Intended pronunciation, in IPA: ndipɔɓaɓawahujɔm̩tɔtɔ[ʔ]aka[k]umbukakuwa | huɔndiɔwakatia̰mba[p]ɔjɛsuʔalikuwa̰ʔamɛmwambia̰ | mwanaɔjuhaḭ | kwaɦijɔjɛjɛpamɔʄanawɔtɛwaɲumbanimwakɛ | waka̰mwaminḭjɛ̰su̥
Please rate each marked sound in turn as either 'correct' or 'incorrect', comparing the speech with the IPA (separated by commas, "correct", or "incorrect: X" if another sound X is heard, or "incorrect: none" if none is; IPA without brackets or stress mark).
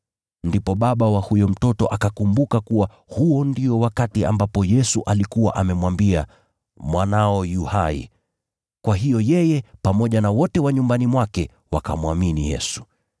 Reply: correct, correct, correct